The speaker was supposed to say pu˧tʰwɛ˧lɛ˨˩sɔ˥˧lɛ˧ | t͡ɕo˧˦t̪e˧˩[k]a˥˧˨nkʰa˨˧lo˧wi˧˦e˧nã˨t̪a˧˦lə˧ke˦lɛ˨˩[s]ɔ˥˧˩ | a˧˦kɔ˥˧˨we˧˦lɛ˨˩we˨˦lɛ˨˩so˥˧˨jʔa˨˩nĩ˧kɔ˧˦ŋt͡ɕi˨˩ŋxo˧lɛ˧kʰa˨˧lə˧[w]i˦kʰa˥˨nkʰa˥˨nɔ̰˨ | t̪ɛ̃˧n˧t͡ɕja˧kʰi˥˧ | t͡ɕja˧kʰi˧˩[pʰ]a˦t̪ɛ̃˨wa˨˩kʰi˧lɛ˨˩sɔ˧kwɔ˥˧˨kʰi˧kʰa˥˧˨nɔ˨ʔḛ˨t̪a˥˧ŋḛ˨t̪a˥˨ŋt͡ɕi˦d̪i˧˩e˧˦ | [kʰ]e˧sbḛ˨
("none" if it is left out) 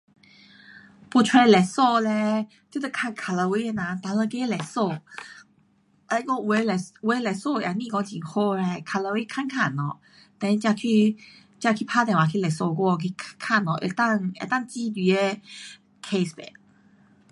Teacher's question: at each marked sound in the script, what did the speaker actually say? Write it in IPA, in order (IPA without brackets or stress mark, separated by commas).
kʰ, s, w, pʰ, kʰ